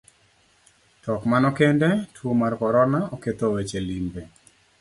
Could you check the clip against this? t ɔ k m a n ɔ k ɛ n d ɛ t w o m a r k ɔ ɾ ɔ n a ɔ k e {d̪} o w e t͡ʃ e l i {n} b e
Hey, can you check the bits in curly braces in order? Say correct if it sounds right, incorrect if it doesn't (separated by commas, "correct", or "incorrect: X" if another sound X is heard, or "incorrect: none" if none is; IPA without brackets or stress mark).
incorrect: t̪, incorrect: m